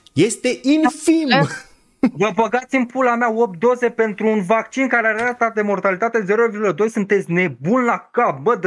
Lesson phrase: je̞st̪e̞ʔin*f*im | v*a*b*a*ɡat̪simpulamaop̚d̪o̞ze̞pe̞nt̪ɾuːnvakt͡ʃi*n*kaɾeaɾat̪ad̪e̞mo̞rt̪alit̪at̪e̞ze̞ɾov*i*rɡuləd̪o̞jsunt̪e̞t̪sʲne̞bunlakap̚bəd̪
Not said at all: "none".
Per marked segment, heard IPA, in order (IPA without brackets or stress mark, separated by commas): f, ə, ə, n, i